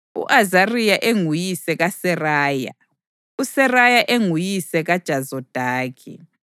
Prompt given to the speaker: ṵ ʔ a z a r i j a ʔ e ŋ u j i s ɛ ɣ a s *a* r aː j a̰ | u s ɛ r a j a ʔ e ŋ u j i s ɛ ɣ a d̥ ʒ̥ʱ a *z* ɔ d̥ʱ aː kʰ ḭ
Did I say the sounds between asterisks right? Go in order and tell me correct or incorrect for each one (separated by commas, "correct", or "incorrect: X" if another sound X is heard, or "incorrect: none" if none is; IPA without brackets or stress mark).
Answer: incorrect: ɛ, correct